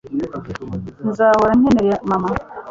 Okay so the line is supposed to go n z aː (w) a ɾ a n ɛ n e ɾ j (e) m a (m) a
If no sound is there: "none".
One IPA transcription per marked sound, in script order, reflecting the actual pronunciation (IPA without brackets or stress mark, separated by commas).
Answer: w, a, m